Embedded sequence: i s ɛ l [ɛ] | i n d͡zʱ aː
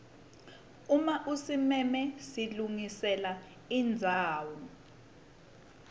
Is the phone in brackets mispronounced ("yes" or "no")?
yes